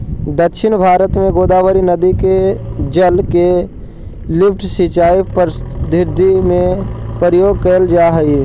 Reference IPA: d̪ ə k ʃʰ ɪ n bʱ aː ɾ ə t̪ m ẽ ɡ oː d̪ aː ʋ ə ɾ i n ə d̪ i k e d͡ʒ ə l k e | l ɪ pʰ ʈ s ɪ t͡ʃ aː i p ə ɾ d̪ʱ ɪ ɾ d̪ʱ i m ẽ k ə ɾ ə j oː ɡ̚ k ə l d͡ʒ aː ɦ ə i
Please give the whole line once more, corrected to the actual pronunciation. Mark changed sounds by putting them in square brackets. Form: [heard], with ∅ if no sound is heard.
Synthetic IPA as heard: d̪ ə k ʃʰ ɪ n bʱ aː ɾ ə t̪ m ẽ ɡ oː d̪ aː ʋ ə ɾ i n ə d̪ i k e d͡ʒ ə l k e | l ɪ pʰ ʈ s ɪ t͡ʃ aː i p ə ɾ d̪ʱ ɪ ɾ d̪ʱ i m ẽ [p] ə ɾ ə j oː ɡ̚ k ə l d͡ʒ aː ɦ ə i